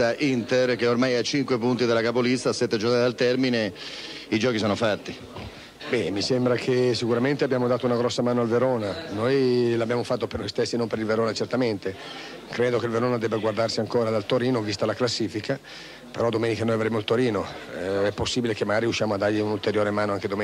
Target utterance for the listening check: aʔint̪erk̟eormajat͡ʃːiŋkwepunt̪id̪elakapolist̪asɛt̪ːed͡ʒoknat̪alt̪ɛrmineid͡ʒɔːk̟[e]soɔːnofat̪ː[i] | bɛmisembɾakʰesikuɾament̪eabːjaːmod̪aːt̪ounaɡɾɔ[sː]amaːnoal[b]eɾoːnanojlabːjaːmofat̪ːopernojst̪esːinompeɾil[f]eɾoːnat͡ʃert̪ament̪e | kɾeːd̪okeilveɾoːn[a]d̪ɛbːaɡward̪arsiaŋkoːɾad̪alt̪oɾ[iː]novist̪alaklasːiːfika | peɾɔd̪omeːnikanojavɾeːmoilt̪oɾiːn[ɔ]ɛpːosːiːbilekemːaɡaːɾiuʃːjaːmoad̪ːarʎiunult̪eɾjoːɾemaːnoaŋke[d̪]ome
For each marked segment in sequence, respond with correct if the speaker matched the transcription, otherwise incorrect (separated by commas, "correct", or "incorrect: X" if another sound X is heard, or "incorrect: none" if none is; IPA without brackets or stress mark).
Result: incorrect: i, correct, correct, incorrect: v, incorrect: v, correct, correct, incorrect: o, correct